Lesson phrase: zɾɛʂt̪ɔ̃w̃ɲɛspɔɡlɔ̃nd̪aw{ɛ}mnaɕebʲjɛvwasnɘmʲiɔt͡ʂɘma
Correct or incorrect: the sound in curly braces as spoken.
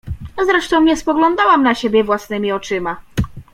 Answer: incorrect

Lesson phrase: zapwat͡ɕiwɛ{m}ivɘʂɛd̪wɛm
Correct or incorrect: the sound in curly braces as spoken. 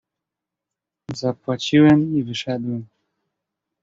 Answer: correct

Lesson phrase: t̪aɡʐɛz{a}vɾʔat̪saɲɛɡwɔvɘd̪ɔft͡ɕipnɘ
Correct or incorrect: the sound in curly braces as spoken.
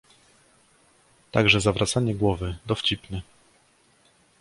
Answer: correct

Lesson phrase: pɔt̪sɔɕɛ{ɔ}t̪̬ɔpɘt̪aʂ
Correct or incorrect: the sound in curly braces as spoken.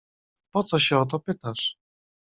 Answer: correct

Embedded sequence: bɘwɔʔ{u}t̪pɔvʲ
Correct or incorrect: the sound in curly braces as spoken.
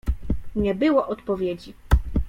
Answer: incorrect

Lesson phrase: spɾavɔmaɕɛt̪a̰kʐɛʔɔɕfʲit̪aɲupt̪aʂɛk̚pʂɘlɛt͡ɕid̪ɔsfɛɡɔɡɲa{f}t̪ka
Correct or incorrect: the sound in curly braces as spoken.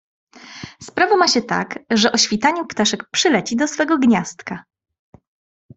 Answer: incorrect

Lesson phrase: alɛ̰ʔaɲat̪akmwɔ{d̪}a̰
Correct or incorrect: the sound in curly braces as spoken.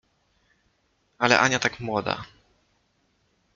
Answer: correct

